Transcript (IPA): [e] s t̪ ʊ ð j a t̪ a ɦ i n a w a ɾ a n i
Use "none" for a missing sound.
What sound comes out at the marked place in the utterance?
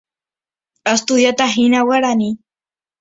a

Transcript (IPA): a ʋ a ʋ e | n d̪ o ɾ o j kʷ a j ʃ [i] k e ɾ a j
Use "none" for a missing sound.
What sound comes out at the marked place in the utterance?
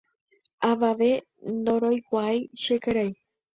e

